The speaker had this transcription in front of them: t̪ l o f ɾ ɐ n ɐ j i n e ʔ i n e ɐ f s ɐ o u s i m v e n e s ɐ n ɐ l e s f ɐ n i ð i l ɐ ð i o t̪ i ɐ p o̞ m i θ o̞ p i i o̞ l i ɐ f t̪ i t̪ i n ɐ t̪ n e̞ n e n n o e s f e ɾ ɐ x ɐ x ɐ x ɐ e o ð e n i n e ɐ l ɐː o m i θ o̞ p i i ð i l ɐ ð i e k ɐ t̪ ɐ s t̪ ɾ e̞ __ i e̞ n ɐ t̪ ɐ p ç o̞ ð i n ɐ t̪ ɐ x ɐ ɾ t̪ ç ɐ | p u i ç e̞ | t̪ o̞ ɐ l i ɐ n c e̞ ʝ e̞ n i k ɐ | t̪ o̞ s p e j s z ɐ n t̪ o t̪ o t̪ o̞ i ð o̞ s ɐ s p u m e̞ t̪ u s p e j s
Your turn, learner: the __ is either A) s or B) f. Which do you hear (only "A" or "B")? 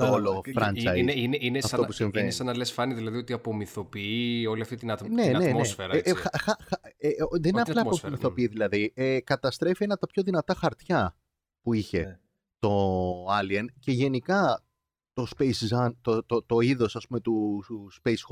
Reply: B